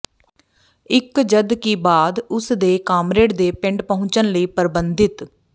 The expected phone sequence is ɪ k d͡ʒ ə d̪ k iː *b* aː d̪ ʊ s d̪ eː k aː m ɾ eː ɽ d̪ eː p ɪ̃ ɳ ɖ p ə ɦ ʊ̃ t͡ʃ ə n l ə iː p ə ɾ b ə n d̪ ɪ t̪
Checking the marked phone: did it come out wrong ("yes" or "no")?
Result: no